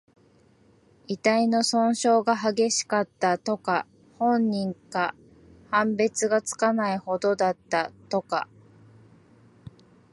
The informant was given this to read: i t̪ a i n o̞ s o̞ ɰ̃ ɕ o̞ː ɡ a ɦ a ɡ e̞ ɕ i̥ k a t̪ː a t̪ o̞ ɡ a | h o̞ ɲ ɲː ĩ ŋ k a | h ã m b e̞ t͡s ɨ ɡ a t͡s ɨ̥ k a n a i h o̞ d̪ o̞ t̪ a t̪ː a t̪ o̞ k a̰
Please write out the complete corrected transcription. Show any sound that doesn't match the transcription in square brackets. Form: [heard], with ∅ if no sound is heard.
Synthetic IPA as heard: i t̪ a i n o̞ s [õ̞] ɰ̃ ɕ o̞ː ɡ a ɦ a ɡ e̞ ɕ i̥ k a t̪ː a t̪ o̞ [k] a | h [õ̞] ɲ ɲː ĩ ŋ k a | h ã m b e̞ t͡s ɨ ɡ a t͡s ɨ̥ k a n a i h o̞ d̪ o̞ [d̪] a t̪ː a t̪ o̞ k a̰